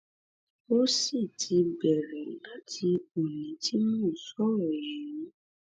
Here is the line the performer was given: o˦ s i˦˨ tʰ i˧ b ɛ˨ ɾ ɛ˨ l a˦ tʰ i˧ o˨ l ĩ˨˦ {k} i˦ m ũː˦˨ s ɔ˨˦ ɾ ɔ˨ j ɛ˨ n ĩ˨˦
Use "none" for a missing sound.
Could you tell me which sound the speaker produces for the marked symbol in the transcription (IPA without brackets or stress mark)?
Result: t